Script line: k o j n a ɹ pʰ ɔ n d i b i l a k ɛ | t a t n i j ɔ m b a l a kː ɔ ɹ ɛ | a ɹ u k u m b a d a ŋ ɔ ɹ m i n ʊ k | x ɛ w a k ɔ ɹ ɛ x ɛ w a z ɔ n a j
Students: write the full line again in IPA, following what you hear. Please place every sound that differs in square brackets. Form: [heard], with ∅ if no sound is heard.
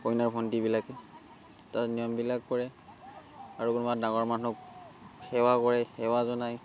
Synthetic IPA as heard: k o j n a ɹ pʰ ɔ n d i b i l a k ɛ | t a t n i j ɔ m b [i] l a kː ɔ ɹ ɛ | a ɹ u k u [n] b a d a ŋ ɔ ɹ m [a] n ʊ k | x ɛ w a k ɔ ɹ ɛ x ɛ w a z ɔ n a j